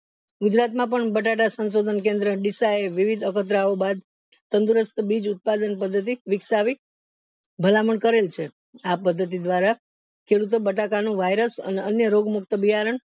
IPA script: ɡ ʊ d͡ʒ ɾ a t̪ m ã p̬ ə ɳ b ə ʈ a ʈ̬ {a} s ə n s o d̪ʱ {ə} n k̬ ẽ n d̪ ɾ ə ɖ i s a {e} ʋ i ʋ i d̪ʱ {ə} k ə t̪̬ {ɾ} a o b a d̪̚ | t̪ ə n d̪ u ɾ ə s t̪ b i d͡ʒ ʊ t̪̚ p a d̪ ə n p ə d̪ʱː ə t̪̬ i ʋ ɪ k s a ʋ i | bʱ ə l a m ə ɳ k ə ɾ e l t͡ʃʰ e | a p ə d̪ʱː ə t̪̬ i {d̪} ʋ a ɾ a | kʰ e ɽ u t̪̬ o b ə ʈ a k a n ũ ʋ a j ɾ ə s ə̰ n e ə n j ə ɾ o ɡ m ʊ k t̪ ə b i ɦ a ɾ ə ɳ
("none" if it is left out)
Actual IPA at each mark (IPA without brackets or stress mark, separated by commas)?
a, ə, e, ə, ɾ, d̪